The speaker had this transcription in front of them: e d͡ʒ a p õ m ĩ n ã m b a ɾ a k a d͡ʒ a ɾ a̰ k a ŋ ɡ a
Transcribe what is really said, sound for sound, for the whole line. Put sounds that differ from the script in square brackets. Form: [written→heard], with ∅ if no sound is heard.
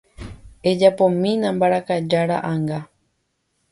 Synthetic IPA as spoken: e d͡ʒ a p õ m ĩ n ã m b a ɾ a k a d͡ʒ a ɾ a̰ [k→ʔ] a ŋ ɡ a